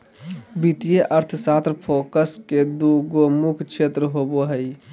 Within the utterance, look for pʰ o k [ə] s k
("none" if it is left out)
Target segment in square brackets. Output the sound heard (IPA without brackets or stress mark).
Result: ə